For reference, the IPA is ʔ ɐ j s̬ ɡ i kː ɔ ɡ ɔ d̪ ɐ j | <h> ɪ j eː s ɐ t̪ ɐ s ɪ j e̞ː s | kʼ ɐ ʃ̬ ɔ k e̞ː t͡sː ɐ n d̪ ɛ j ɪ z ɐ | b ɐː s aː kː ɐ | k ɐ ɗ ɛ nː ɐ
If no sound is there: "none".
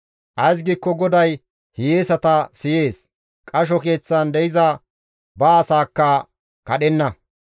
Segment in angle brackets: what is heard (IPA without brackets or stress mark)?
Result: h